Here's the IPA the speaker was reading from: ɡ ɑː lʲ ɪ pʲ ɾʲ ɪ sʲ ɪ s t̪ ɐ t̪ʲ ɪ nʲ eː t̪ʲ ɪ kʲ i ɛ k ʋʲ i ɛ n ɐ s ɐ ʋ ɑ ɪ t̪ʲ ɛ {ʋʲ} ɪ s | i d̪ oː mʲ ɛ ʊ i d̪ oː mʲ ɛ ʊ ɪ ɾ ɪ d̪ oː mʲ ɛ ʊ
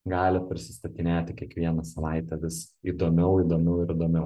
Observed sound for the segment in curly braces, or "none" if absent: ʋʲ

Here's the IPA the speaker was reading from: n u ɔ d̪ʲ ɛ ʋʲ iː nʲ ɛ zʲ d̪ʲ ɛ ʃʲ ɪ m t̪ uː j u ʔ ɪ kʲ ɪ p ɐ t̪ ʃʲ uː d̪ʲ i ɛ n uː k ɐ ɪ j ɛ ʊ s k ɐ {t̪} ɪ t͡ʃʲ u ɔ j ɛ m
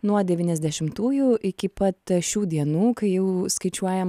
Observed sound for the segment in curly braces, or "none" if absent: none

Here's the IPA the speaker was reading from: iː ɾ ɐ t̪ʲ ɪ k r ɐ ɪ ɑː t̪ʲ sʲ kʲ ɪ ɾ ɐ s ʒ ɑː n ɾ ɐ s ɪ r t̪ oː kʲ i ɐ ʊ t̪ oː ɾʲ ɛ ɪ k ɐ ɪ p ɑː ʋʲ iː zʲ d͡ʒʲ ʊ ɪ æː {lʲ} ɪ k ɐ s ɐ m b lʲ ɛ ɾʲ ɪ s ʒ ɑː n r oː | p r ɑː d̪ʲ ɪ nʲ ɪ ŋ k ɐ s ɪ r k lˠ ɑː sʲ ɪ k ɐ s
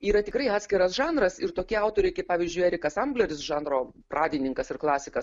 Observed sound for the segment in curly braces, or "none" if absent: ɾʲ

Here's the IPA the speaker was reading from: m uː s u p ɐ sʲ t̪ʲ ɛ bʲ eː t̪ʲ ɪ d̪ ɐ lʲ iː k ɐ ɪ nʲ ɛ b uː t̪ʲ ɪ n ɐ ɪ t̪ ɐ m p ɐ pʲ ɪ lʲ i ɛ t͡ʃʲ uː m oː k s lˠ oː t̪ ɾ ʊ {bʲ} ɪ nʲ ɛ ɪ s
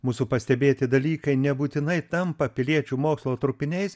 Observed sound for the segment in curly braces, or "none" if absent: pʲ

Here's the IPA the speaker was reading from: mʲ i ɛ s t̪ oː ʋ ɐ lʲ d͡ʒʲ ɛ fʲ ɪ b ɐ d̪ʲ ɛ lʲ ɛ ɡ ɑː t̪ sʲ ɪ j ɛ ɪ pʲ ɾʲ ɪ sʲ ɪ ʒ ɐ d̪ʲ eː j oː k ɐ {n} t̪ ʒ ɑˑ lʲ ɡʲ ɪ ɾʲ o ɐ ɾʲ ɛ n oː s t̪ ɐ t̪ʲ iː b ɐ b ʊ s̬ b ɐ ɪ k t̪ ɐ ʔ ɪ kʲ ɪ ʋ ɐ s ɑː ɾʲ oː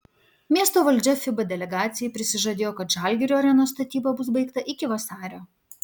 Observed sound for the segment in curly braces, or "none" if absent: none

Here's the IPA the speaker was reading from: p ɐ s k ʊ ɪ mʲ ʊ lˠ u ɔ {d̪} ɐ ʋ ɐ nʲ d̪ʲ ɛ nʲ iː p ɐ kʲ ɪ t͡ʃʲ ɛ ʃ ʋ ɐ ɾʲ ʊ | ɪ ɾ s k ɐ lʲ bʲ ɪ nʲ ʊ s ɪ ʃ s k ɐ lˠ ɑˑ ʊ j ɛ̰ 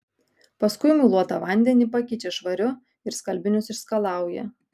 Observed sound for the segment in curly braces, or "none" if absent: t̪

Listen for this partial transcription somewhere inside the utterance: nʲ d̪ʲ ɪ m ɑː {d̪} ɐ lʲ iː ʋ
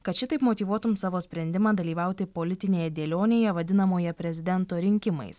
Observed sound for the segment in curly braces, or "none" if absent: d̪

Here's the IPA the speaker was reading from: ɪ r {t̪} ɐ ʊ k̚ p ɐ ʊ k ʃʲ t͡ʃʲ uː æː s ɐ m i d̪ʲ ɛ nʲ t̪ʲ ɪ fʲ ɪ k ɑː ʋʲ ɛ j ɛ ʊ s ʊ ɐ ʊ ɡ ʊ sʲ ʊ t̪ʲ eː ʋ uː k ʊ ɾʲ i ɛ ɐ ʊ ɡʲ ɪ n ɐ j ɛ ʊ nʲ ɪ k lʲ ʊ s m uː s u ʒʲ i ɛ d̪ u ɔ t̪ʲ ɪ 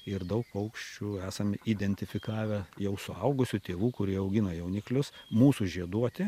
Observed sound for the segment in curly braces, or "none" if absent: d̪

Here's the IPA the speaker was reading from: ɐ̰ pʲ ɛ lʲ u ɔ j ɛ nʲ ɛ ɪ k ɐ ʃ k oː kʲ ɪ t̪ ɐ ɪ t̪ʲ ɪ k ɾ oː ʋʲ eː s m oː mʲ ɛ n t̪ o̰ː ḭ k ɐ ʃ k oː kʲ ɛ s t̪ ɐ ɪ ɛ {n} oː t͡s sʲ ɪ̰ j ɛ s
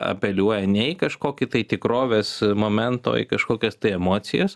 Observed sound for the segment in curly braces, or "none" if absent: m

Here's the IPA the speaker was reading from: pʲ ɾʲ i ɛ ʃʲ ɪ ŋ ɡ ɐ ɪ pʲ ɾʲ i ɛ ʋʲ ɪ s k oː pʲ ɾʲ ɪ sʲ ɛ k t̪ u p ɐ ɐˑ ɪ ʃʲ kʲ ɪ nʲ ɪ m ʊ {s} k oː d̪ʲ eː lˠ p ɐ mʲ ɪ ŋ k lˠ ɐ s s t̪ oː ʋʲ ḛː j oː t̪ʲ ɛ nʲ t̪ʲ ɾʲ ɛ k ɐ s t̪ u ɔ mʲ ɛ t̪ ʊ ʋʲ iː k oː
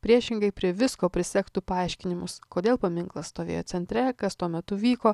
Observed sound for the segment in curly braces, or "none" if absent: s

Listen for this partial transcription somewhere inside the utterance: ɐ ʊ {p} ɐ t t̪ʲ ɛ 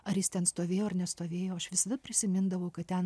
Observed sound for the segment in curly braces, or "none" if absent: k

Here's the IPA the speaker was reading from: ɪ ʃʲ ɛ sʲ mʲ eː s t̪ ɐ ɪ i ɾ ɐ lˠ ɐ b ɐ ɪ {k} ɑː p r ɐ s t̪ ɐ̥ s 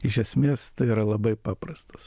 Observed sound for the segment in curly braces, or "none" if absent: p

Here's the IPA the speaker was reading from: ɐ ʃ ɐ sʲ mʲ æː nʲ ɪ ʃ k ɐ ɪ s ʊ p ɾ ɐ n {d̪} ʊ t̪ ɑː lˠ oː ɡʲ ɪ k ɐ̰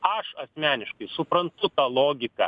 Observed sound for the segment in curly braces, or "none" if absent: t̪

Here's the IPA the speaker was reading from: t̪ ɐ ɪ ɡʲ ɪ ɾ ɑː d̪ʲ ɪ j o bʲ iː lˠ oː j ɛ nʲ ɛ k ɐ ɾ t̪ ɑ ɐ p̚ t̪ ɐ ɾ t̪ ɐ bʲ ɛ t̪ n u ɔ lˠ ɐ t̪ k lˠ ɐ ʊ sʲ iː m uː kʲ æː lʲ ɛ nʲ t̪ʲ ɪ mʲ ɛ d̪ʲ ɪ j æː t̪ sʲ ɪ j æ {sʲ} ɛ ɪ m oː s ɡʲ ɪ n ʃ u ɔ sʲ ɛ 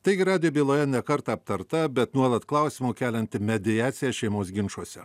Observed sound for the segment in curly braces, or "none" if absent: ʃʲ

